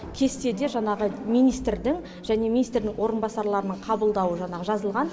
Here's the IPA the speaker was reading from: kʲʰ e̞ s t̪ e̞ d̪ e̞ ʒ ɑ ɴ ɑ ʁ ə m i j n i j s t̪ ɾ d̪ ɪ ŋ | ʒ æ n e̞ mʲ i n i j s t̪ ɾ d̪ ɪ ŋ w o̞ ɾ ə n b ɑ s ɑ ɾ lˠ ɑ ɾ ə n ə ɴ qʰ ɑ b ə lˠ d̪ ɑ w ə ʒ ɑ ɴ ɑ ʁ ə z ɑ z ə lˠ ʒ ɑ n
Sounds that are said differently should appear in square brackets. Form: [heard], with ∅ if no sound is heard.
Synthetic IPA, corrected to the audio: kʲʰ e̞ s t̪ e̞ d̪ e̞ ʒ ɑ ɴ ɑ ʁ ə m i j n i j s t̪ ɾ d̪ ɪ ŋ | ʒ æ n e̞ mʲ i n i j s t̪ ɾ d̪ ɪ ŋ w o̞ ɾ ə n b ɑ s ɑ ɾ lˠ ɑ ɾ ə n ə ɴ qʰ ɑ b ə lˠ d̪ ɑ w ə ʒ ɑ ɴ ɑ ʁ ə [ʒ] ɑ z ə lˠ [ʁ] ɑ n